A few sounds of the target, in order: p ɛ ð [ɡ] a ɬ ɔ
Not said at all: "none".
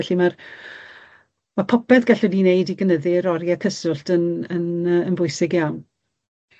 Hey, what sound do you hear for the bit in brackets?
ɡ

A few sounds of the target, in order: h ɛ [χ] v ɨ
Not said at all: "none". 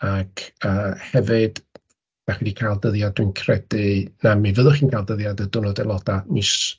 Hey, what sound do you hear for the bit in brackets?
none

